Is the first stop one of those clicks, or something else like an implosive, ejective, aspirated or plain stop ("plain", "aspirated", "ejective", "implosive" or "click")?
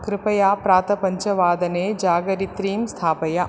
plain